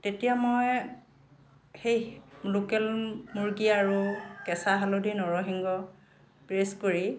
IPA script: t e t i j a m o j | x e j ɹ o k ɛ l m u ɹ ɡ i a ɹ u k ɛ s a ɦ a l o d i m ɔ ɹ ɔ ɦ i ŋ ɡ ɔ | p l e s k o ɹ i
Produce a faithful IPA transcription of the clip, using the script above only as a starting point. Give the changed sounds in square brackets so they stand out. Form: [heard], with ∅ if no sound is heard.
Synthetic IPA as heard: t e t i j a m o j | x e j [l] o k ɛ l m u ɹ ɡ i a ɹ u k ɛ s a ɦ a l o d i [n] ɔ ɹ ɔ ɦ i ŋ ɡ ɔ | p [ɹ] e s k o ɹ i